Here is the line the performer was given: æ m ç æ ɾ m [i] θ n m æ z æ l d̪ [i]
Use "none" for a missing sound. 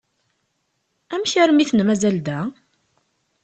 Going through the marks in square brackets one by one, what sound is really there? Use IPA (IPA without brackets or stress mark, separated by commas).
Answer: i, æ